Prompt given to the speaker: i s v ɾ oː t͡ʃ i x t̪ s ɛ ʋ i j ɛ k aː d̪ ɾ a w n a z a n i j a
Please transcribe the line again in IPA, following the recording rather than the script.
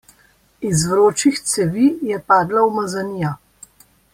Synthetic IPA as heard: i z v ɾ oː t͡ʃ i x t̪ s ɛ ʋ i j ɛ p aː d̪ l a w m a z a n i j a